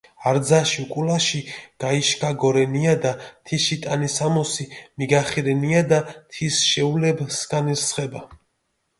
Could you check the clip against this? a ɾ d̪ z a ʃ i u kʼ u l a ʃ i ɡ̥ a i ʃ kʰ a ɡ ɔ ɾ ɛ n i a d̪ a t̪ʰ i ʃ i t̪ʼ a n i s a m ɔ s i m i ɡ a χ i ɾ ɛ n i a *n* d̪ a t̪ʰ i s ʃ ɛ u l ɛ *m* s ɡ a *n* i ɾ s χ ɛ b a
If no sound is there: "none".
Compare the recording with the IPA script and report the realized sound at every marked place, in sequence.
none, b, n

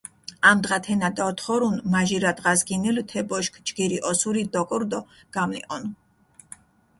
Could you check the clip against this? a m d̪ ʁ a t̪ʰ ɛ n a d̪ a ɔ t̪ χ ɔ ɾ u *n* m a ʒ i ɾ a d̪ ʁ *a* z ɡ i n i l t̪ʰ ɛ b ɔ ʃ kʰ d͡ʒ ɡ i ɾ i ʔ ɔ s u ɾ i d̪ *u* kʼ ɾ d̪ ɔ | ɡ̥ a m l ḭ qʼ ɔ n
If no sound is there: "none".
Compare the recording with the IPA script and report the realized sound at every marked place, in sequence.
n, a, ɔ

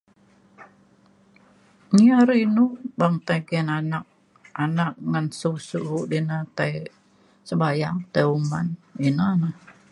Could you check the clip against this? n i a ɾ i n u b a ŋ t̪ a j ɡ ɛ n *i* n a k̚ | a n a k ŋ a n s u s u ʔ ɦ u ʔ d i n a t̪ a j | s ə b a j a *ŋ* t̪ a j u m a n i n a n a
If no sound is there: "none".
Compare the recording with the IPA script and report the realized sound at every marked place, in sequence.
a, ŋ

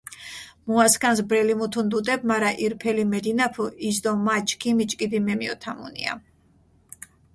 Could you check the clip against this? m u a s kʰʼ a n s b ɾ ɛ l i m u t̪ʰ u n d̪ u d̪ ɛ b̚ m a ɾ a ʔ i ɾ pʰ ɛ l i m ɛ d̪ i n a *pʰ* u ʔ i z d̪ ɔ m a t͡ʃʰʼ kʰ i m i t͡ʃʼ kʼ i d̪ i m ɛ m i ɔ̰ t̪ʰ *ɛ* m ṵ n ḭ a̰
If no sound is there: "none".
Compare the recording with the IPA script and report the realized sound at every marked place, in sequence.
pʰ, a

